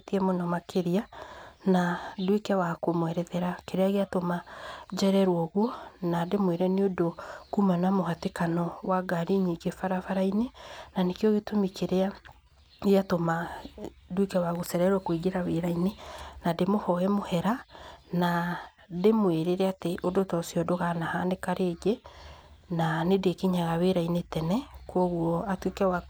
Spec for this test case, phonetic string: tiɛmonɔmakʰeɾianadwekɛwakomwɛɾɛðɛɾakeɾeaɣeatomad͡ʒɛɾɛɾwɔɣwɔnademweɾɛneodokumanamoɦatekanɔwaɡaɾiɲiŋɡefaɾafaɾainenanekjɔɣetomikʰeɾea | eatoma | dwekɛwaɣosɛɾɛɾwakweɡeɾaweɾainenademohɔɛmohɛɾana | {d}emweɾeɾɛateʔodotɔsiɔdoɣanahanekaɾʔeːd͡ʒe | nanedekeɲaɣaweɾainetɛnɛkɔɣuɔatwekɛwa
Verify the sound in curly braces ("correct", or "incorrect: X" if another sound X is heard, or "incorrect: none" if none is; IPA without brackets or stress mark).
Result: correct